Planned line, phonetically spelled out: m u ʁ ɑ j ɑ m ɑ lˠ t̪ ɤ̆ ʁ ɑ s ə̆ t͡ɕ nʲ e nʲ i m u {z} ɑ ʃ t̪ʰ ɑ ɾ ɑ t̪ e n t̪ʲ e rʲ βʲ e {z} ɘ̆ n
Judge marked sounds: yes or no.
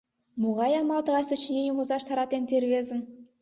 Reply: yes, yes

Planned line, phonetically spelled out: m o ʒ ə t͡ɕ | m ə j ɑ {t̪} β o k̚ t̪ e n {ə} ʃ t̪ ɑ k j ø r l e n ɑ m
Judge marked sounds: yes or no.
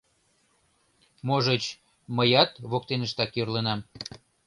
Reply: yes, yes

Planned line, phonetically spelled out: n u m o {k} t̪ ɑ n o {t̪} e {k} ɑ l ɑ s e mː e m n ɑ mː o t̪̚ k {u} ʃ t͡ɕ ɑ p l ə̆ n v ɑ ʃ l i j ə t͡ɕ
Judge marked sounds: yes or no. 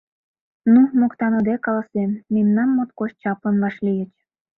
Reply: yes, no, yes, no

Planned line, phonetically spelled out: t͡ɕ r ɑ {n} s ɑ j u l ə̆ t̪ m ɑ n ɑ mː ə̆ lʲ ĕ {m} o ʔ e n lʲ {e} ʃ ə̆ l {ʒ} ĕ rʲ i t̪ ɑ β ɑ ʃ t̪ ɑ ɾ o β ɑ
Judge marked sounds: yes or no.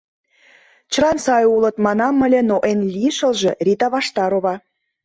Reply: yes, no, no, yes

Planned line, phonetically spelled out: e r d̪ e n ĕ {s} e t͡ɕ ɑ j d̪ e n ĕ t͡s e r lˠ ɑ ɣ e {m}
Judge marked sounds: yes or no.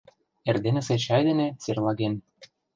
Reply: yes, no

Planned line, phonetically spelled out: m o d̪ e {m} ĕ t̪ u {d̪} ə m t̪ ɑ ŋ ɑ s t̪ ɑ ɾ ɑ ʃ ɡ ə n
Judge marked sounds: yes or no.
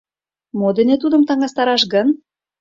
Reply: no, yes

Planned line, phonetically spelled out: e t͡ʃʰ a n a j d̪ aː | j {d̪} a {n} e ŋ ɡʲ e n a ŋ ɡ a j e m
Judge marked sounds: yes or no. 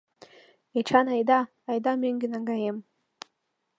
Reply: yes, no

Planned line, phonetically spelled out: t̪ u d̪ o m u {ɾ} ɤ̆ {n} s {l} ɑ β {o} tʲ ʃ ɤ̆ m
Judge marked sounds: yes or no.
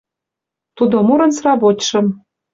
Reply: yes, yes, no, yes

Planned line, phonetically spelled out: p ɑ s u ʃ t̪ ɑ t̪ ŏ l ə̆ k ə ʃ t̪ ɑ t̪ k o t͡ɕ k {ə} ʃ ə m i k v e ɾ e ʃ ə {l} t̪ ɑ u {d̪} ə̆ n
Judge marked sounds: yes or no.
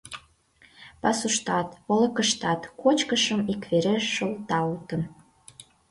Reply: yes, yes, no

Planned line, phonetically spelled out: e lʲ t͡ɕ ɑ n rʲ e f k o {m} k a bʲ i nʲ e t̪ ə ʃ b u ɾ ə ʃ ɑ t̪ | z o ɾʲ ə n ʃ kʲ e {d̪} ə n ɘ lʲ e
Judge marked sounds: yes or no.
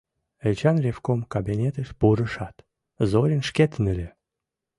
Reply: yes, no

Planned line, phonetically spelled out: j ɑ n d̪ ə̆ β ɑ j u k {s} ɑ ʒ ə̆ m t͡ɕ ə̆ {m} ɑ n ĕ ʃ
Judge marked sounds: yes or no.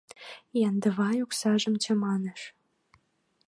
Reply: yes, yes

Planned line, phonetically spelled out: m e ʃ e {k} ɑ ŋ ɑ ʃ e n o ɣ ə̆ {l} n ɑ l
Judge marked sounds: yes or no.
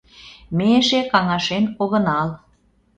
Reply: yes, no

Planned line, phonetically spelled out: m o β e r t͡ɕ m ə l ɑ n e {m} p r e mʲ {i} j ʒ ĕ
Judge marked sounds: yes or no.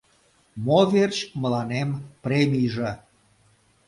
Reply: yes, yes

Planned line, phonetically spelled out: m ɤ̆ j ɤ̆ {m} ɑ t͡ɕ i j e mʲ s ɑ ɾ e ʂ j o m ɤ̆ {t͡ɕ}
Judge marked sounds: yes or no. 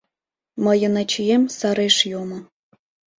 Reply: no, no

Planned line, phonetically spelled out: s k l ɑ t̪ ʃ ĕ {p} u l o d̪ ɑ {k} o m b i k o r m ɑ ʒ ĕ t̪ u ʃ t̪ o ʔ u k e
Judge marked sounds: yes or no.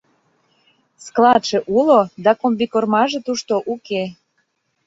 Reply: no, yes

